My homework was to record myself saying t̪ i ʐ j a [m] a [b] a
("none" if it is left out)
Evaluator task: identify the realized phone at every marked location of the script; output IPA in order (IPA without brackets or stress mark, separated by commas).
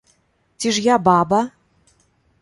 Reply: b, b